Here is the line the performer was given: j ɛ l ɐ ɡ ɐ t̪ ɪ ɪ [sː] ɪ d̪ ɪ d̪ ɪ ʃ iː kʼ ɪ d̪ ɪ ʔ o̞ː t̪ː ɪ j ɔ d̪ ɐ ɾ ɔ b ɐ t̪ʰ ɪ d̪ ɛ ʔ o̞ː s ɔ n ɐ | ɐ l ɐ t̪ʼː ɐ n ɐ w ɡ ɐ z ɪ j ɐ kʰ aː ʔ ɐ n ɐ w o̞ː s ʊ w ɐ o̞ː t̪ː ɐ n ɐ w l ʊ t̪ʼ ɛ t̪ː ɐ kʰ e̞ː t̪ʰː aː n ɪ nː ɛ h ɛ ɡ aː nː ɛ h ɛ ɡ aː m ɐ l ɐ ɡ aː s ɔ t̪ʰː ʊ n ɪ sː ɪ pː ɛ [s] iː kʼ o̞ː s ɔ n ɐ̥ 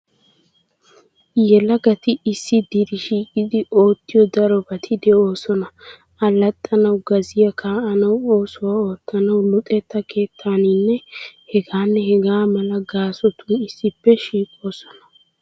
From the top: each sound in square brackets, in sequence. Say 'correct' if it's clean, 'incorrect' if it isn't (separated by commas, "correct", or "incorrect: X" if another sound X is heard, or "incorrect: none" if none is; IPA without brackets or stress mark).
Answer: correct, incorrect: ʃ